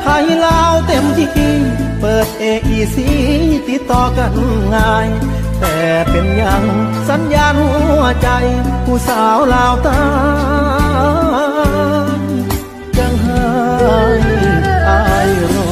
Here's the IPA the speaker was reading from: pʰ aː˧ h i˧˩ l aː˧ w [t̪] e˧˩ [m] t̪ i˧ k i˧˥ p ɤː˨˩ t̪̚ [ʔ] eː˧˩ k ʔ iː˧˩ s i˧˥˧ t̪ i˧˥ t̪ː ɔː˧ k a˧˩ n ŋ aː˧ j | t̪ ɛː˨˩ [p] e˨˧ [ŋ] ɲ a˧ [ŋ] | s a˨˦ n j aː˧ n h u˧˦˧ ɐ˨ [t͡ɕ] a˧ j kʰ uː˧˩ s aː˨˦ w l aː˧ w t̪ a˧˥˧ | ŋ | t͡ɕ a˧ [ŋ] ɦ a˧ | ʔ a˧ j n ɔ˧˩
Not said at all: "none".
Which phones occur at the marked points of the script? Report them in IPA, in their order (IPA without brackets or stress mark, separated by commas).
t̪, m, ʔ, p, n, ŋ, t͡ɕ, ŋ